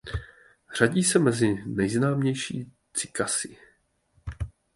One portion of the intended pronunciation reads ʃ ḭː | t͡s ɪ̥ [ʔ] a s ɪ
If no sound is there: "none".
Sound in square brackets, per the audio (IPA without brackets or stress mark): k